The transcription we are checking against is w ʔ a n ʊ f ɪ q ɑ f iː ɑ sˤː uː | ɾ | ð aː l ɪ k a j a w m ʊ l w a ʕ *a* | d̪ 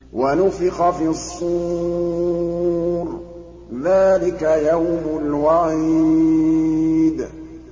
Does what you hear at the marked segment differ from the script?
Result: yes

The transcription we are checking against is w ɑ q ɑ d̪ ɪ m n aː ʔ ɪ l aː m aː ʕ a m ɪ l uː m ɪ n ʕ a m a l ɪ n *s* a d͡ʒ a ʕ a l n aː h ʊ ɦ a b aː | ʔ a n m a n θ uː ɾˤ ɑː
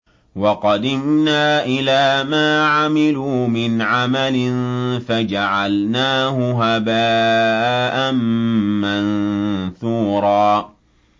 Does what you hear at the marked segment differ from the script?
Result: yes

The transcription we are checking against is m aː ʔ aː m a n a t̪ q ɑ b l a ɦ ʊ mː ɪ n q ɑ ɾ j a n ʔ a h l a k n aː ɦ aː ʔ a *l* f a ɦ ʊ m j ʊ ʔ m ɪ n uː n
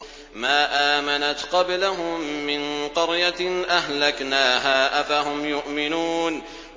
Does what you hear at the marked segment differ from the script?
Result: yes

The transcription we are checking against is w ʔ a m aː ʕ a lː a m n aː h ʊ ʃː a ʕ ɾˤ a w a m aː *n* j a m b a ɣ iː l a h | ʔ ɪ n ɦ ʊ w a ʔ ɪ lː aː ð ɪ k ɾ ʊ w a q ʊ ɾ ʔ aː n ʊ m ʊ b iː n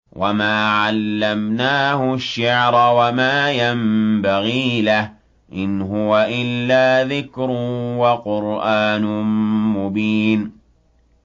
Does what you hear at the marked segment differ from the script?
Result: yes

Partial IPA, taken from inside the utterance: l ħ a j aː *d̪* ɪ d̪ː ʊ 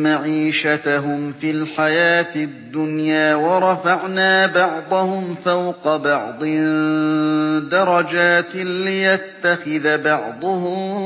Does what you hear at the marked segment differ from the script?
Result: yes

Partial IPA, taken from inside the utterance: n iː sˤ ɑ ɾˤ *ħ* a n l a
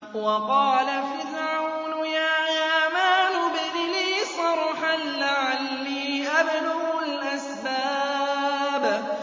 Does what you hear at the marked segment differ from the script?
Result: no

